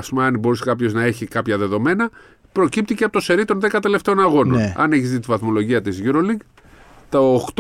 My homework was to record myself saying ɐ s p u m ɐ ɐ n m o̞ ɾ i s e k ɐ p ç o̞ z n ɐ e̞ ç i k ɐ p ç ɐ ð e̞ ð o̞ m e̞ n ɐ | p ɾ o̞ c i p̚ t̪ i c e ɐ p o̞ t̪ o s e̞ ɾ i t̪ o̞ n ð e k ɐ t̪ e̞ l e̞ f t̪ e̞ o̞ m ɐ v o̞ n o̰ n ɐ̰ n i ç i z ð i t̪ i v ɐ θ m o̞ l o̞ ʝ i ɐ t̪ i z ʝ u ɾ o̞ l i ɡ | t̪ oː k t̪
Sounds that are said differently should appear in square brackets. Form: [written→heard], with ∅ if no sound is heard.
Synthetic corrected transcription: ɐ s p u m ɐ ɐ n [m→b] o̞ ɾ i s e k ɐ p ç o̞ z n ɐ e̞ ç i k ɐ p ç ɐ ð e̞ ð o̞ m e̞ n ɐ | p ɾ o̞ c i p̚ t̪ i c e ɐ p o̞ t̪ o s e̞ ɾ i t̪ o̞ n ð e k ɐ t̪ e̞ l e̞ f t̪ e̞ o̞ [m→n] ɐ [v→ɣ] o̞ n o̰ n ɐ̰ n [i→e] ç i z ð i t̪ i v ɐ θ m o̞ l o̞ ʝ i ɐ t̪ i z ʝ u ɾ o̞ l i ɡ | t̪ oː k t̪